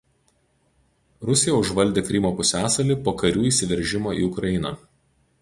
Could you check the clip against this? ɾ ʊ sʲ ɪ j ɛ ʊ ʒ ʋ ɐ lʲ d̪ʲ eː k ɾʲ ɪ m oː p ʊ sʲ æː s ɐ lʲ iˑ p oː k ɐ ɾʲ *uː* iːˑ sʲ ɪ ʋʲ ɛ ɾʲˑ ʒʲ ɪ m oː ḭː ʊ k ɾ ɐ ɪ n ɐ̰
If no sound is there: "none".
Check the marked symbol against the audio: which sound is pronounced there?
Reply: uː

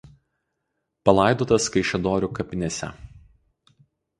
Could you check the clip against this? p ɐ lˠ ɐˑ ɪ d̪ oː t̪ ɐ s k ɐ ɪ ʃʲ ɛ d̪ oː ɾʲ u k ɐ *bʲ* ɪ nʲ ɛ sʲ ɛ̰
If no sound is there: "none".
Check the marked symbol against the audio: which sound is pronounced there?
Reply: pʲ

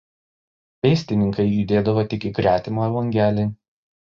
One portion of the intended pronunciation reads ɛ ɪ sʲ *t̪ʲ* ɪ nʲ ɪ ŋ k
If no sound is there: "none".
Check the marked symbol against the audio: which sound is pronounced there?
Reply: t̪ʲ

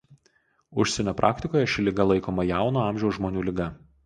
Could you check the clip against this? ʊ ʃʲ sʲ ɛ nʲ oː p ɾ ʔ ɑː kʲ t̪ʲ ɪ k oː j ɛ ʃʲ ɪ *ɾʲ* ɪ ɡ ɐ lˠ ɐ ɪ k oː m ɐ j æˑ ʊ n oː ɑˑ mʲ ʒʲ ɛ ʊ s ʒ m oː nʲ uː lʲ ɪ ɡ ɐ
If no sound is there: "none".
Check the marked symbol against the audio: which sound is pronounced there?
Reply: lʲ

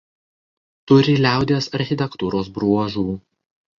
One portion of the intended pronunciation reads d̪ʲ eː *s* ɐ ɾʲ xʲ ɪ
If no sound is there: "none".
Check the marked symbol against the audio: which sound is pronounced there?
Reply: s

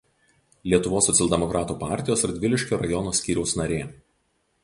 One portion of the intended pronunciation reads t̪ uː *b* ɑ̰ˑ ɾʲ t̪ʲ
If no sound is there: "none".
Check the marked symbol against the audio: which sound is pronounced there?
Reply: p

